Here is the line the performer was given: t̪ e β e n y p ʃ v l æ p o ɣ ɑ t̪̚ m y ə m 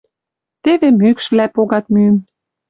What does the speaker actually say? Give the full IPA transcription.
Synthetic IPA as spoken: t̪ e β e m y k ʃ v l æ p o ɣ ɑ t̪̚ m y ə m